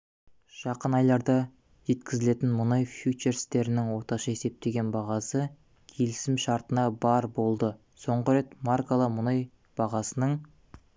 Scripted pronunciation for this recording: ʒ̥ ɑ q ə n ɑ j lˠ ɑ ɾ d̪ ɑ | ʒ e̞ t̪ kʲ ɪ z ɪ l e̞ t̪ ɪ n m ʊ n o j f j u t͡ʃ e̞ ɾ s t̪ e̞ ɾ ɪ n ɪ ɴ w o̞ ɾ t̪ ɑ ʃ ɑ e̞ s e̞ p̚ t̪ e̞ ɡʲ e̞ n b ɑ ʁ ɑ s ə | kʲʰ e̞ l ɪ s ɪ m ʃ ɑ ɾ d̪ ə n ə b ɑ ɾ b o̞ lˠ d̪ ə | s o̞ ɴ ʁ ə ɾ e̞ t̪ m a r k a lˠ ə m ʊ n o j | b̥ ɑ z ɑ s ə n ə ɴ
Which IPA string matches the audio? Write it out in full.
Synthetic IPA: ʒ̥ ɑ q ə n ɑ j lˠ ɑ ɾ d̪ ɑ | ʒ e̞ t̪ kʲ ɪ z ɪ l e̞ t̪ ɪ n m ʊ n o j f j u t͡ʃ e̞ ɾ s t̪ e̞ ɾ ɪ n ɪ ŋ w o̞ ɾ t̪ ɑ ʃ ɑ e̞ s e̞ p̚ t̪ e̞ ɡʲ e̞ n b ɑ ʁ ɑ s ə | kʲʰ e̞ l ɪ s ɪ m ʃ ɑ ɾ t̪ ə n ɑ b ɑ ɾ b o̞ lˠ d̪ ə | s o̞ ɴ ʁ ə ɾ e̞ t̪ m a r k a lˠ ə m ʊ n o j | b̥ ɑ ʁ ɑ s ə n ə ɴ